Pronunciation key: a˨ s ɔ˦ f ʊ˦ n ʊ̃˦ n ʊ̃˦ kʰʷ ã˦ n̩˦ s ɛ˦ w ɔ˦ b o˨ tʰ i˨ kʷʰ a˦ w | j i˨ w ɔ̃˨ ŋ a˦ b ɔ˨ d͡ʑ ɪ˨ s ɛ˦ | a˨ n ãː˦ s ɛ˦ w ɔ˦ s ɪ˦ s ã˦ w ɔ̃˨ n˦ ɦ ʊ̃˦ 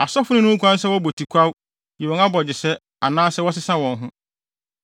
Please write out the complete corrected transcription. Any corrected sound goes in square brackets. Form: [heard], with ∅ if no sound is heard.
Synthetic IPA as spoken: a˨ s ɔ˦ f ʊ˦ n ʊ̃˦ n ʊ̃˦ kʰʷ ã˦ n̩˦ s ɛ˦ w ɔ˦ b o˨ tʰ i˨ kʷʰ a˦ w | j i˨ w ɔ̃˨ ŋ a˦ b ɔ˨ d͡ʑ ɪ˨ s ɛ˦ | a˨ n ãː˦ s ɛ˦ w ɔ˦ s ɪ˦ s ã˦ w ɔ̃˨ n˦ ɦ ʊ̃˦